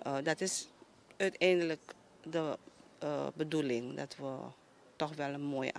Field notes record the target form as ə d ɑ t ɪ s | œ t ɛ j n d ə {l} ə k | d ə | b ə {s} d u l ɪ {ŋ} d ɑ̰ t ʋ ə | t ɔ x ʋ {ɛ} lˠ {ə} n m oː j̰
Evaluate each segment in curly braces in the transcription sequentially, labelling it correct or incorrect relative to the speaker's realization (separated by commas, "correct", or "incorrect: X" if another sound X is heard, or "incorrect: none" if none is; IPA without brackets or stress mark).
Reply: correct, incorrect: none, correct, correct, correct